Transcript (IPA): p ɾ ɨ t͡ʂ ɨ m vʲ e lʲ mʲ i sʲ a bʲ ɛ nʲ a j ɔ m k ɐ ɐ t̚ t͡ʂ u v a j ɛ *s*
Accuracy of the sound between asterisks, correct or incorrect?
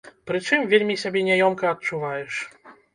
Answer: incorrect